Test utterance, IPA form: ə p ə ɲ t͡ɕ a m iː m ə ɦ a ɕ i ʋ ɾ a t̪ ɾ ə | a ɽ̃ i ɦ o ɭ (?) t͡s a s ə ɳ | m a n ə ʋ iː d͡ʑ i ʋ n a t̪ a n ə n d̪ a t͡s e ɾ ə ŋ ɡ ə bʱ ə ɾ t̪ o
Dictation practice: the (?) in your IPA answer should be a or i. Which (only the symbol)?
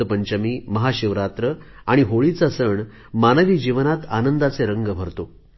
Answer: i